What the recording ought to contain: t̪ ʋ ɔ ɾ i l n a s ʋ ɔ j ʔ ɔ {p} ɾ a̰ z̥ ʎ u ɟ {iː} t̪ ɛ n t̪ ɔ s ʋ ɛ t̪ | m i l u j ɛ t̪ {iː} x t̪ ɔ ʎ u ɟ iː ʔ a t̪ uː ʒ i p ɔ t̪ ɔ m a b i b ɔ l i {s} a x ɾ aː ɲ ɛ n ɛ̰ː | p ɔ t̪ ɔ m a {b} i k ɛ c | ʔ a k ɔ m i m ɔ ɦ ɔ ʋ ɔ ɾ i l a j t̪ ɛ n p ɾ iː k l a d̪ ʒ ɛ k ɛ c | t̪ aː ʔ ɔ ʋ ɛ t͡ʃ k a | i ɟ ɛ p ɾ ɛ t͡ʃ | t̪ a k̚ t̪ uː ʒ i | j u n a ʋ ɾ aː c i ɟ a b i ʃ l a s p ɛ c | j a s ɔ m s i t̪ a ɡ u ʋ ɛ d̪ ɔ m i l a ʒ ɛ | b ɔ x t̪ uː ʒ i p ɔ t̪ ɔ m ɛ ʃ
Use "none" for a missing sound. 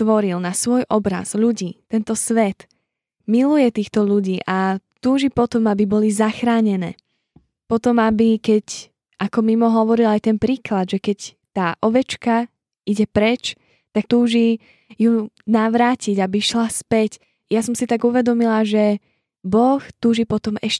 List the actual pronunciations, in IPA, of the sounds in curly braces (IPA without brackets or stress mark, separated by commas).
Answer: b, iː, iː, z, b